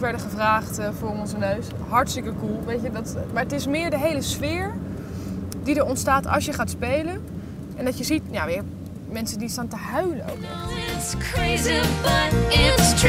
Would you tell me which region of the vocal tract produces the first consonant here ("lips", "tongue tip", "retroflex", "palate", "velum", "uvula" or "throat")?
lips